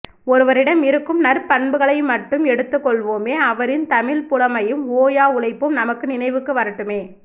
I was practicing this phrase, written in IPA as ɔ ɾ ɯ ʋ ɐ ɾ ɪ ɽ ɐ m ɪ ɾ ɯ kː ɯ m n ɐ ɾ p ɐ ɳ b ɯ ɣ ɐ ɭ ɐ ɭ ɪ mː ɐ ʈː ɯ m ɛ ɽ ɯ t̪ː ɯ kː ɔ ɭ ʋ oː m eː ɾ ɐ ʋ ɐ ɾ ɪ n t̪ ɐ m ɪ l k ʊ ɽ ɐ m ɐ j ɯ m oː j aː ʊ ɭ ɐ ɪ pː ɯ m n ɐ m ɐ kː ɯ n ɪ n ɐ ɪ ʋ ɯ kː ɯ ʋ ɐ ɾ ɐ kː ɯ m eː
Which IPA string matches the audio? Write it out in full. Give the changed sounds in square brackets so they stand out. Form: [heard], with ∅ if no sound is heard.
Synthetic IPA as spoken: ɔ ɾ ɯ ʋ ɐ ɾ ɪ ɽ ɐ m ɪ ɾ ɯ kː ɯ m n ɐ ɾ p ɐ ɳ b ɯ ɣ ɐ ɭ ɐ [∅] ɪ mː ɐ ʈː ɯ m ɛ ɽ ɯ t̪ː ɯ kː ɔ ɭ ʋ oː m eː [∅] ɐ ʋ ɐ ɾ ɪ n t̪ ɐ m ɪ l [p] ʊ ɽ ɐ m ɐ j ɯ m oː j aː ʊ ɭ ɐ ɪ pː ɯ m n ɐ m ɐ kː ɯ n ɪ n ɐ ɪ ʋ ɯ kː ɯ ʋ ɐ ɾ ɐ [ʈː] ɯ m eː

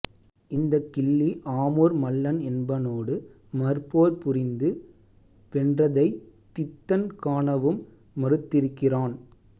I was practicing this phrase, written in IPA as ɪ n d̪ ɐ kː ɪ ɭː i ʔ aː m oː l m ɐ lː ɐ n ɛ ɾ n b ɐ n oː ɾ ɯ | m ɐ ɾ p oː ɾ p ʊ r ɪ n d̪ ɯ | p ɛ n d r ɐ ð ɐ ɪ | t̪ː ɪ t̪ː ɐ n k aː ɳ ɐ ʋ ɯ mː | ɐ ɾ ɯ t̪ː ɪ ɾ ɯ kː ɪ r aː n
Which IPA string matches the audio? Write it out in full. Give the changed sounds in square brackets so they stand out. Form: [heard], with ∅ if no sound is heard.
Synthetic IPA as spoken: ɪ n d̪ ɐ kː ɪ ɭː i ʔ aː m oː [ɾ] m ɐ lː ɐ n ɛ [∅] n b ɐ n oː [ɽ] ɯ | m ɐ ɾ p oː ɾ p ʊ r ɪ n d̪ ɯ | p ɛ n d r ɐ ð ɐ ɪ | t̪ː ɪ t̪ː ɐ n k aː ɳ ɐ ʋ ɯ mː | ɐ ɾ ɯ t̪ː ɪ ɾ ɯ kː ɪ r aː n

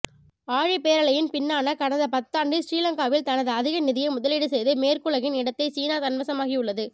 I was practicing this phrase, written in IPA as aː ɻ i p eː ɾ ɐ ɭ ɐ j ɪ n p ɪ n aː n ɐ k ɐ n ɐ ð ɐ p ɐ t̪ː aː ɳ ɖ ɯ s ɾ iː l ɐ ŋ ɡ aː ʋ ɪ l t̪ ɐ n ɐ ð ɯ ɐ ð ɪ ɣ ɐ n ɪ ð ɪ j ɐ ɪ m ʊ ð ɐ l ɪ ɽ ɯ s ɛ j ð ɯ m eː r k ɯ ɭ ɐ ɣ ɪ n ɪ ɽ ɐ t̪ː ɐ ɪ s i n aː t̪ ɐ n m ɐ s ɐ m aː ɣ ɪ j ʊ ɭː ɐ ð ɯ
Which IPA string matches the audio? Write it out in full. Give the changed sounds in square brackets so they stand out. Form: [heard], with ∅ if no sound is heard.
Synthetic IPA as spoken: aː ɻ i p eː ɾ ɐ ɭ ɐ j ɪ n p ɪ [nː] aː n ɐ k ɐ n ɐ ð ɐ p ɐ t̪ː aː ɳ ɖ ɯ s ɾ iː l ɐ ŋ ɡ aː ʋ ɪ l t̪ ɐ n ɐ ð ɯ ɐ ð ɪ ɣ ɐ n ɪ ð ɪ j ɐ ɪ m ʊ ð ɐ l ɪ ɽ ɯ s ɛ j ð ɯ m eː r k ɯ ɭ ɐ ɣ ɪ n ɪ ɽ ɐ t̪ː ɐ ɪ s [iː] n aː t̪ ɐ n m ɐ s ɐ m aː ɣ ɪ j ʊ ɭː ɐ ð ɯ

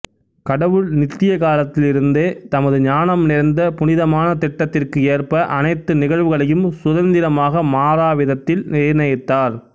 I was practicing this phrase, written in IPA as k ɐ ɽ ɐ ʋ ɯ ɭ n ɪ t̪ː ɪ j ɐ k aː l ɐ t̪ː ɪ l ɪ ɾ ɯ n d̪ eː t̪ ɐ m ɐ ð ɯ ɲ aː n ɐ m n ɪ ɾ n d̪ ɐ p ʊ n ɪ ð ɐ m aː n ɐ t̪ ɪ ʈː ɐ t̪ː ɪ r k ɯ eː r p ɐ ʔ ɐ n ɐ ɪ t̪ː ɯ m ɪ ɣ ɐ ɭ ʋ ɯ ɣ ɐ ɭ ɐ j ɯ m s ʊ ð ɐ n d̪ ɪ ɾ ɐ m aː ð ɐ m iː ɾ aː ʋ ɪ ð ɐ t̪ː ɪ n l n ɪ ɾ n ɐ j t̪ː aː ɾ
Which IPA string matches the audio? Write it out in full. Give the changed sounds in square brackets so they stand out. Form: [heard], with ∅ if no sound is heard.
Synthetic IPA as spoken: k ɐ ɽ ɐ ʋ ɯ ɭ n ɪ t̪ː ɪ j ɐ k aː l ɐ t̪ː ɪ l ɪ ɾ ɯ n d̪ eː t̪ ɐ m ɐ ð ɯ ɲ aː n ɐ m n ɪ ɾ n d̪ ɐ p ʊ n ɪ ð ɐ m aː n ɐ t̪ ɪ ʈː ɐ t̪ː ɪ r k ɯ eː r p ɐ ʔ ɐ n ɐ ɪ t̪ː ɯ [n] ɪ ɣ ɐ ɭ ʋ ɯ ɣ ɐ ɭ ɐ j ɯ m s ʊ ð ɐ n d̪ ɪ ɾ ɐ m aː [ɣ] ɐ m [aː] ɾ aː ʋ ɪ ð ɐ t̪ː ɪ [∅] l n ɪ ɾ n ɐ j t̪ː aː ɾ

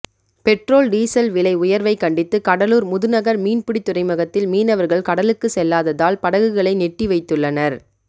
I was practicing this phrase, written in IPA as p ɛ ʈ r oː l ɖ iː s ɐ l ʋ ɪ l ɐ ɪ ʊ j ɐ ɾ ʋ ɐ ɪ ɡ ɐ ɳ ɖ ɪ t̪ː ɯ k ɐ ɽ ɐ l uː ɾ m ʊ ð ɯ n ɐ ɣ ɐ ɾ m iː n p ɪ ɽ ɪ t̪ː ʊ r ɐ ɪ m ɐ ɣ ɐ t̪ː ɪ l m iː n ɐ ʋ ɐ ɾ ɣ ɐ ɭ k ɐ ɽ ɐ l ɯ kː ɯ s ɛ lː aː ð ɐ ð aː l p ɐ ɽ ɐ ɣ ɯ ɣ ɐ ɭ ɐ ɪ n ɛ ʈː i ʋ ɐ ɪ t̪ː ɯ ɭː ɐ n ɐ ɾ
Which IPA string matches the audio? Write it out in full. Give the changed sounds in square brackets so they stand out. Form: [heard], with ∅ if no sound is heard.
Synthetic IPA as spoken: p ɛ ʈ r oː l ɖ iː s ɐ l ʋ ɪ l ɐ ɪ ʊ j ɐ ɾ ʋ ɐ ɪ [k] ɐ ɳ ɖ ɪ t̪ː ɯ k ɐ ɽ ɐ l uː ɾ m ʊ ð ɯ n ɐ ɣ ɐ ɾ m iː n p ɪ ɽ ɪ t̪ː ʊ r ɐ ɪ m ɐ ɣ ɐ t̪ː ɪ l m iː n ɐ ʋ ɐ ɾ ɣ ɐ ɭ k ɐ ɽ ɐ l ɯ kː ɯ s ɛ lː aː ð ɐ ð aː l p ɐ ɽ ɐ ɣ ɯ ɣ ɐ ɭ ɐ ɪ n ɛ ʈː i ʋ ɐ ɪ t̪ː ɯ ɭː ɐ n ɐ ɾ

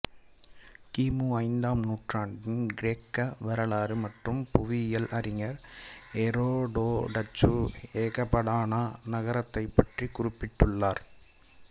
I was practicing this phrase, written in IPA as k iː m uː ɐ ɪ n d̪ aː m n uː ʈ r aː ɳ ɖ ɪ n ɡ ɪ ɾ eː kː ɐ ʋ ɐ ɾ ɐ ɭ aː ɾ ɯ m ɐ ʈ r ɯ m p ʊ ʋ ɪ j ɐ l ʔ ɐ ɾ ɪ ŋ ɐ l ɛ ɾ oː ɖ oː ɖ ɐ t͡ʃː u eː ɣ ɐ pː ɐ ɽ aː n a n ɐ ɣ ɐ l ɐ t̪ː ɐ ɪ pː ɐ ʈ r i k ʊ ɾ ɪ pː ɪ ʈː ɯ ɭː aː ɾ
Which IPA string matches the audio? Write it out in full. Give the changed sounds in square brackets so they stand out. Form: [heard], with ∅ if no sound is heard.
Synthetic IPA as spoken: k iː m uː ɐ ɪ n d̪ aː m n uː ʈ r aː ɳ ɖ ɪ n ɡ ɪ ɾ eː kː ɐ ʋ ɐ ɾ ɐ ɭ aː ɾ ɯ m ɐ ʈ r ɯ m p ʊ ʋ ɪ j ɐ l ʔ ɐ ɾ ɪ ŋ ɐ [ɾ] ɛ ɾ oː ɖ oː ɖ ɐ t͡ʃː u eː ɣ ɐ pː ɐ ɽ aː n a n ɐ ɣ ɐ [ɾ] ɐ t̪ː ɐ ɪ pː ɐ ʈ r i k ʊ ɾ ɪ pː ɪ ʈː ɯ ɭː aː ɾ

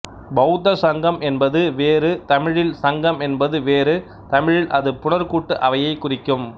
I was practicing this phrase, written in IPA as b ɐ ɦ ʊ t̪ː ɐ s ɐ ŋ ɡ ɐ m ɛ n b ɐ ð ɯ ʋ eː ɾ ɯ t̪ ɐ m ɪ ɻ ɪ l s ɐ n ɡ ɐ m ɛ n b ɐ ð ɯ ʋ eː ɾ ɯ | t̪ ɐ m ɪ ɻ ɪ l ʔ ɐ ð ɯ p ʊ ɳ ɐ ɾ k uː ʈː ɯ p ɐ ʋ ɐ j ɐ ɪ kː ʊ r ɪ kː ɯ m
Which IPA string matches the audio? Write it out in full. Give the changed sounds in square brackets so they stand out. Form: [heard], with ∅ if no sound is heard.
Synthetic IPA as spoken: b ɐ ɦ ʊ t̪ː ɐ s ɐ ŋ ɡ ɐ m ɛ n b ɐ ð ɯ ʋ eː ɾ ɯ t̪ ɐ m ɪ ɻ ɪ l s ɐ [ŋ] ɡ ɐ m ɛ n b ɐ ð ɯ ʋ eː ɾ ɯ | t̪ ɐ m ɪ ɻ ɪ l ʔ ɐ ð ɯ p ʊ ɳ ɐ ɾ k uː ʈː ɯ [ʔ] ɐ ʋ ɐ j ɐ ɪ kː ʊ r ɪ kː ɯ m

